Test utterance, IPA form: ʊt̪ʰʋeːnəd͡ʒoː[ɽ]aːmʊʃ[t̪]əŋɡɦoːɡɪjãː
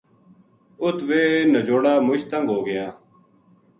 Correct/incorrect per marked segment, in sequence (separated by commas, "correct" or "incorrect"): correct, correct